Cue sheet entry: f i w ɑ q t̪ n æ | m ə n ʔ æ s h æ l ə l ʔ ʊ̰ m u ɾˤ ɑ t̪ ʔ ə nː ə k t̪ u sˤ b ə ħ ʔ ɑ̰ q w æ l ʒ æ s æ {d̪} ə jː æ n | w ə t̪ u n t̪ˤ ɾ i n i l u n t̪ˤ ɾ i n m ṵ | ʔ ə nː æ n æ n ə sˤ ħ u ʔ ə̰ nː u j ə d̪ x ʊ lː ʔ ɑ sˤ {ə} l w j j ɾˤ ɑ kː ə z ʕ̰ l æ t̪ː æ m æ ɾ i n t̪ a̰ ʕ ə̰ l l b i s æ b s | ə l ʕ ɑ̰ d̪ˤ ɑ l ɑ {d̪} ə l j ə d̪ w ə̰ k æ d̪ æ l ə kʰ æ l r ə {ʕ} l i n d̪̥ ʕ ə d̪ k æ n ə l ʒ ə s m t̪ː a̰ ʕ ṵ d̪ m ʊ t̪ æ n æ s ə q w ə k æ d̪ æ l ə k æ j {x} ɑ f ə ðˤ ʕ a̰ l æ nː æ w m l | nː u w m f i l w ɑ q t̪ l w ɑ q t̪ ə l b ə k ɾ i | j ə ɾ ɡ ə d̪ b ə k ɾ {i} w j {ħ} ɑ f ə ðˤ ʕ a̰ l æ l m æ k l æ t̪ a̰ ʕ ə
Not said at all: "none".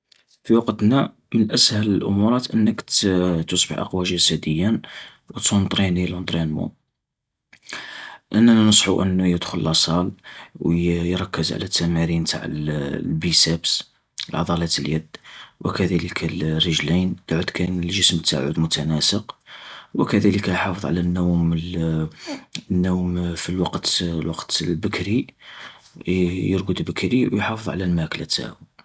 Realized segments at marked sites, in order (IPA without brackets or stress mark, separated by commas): d̪, ɑ, t̪, ʒ, ħ, i, ħ